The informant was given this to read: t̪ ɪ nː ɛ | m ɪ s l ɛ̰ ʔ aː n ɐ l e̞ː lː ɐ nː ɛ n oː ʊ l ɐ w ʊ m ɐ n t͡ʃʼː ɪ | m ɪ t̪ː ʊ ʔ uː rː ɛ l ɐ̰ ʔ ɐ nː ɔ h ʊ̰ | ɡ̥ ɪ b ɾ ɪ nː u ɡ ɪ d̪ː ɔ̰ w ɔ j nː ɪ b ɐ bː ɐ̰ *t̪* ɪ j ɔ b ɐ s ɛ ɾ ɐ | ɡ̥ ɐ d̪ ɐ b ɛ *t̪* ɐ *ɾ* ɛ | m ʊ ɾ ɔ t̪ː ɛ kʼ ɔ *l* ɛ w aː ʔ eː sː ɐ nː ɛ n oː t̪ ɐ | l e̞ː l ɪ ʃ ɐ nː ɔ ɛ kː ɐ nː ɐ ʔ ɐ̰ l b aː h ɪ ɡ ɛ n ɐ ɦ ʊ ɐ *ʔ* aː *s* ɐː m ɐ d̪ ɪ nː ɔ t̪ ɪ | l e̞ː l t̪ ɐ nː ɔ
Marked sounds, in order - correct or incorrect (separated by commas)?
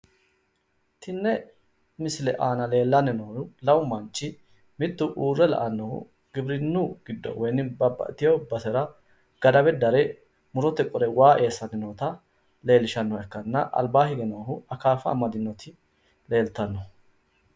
correct, incorrect, correct, incorrect, incorrect, incorrect